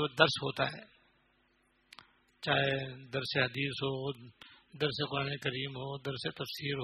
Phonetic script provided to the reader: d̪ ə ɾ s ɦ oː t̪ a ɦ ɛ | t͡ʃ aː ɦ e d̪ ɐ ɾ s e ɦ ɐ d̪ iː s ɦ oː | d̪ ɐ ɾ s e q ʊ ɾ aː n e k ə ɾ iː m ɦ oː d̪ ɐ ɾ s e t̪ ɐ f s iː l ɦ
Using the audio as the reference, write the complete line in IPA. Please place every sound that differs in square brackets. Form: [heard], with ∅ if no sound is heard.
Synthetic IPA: d̪ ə ɾ s ɦ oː t̪ a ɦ [ɛː] | t͡ʃ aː ɦ e d̪ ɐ ɾ s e ɦ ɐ d̪ iː s ɦ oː | d̪ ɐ ɾ s e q ʊ ɾ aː n e k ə ɾ iː m ɦ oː d̪ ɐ ɾ s e t̪ ɐ f s iː [ɾ] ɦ